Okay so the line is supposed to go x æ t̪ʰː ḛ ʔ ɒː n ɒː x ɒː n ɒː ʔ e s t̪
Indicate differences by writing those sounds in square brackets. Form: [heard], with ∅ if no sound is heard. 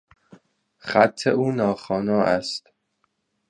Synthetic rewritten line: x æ t̪ʰː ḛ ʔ [uː] n ɒː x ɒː n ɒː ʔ [æ] s t̪